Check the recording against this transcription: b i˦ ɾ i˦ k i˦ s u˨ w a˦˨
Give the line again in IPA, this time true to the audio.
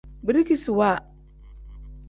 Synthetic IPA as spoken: b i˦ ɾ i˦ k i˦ s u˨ w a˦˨